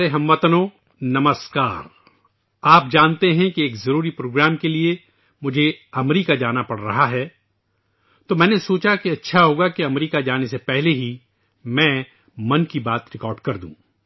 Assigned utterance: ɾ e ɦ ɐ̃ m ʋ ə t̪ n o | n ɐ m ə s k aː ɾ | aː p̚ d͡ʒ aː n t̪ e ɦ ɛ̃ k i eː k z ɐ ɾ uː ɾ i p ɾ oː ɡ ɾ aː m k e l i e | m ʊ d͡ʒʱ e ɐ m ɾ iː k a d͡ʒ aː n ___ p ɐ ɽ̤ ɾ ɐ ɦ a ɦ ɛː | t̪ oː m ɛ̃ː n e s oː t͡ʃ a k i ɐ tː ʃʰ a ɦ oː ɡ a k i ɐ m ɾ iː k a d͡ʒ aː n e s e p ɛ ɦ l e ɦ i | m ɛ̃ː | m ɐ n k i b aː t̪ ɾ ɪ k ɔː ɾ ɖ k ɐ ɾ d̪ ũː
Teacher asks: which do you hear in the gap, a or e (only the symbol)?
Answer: a